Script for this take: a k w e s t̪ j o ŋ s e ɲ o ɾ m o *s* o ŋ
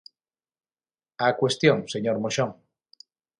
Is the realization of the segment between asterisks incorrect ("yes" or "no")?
yes